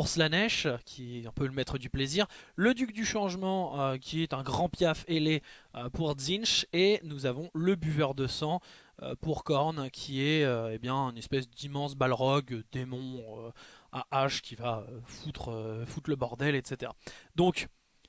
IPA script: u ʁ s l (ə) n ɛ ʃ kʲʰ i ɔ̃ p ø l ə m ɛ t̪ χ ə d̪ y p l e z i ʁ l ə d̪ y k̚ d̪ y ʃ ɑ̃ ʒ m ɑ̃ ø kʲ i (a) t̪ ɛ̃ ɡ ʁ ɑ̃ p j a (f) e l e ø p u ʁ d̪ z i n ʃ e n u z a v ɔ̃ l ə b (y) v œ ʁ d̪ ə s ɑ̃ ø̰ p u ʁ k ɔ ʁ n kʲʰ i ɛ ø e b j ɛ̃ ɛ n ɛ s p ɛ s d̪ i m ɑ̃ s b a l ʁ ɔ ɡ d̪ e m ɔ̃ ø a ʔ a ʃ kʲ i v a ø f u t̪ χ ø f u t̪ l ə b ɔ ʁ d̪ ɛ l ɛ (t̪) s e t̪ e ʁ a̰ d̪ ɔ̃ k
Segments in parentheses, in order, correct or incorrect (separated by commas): incorrect, incorrect, correct, correct, correct